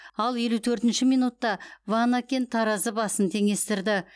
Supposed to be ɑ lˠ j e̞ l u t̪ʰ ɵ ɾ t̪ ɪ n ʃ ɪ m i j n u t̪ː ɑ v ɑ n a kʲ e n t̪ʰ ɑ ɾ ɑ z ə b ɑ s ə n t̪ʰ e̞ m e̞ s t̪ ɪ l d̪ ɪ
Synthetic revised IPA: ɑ lˠ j e̞ l u t̪ʰ ɵ ɾ t̪ ɪ n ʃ ɪ m i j n u t̪ː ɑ v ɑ n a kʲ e n t̪ʰ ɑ ɾ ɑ z ə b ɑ s ə n t̪ʰ e̞ ŋ e̞ s t̪ ɪ ɾ d̪ ɪ